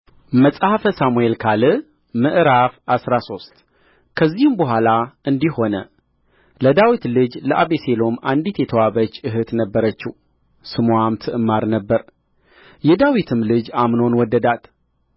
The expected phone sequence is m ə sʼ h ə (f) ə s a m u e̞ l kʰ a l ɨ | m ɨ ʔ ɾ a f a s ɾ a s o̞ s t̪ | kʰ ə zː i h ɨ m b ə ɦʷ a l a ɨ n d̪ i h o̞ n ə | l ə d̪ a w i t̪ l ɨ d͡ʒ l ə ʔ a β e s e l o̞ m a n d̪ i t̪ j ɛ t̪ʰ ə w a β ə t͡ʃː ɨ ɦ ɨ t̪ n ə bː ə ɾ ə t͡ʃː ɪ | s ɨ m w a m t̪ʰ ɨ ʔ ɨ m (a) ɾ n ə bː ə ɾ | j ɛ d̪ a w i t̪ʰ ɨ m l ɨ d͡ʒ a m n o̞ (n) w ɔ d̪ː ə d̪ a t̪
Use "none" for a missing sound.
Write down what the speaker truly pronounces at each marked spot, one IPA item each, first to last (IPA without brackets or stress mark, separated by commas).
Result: f, a, n